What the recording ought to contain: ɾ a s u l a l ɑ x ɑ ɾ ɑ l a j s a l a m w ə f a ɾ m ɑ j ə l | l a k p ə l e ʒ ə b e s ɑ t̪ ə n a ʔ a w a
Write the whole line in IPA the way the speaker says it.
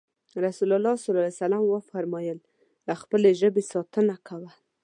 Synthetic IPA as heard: ɾ a s u l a l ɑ s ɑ l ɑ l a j s a l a m w ə f a ɾ m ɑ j ə l | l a x p ə l e ʒ ə b e s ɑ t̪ ə n a k a w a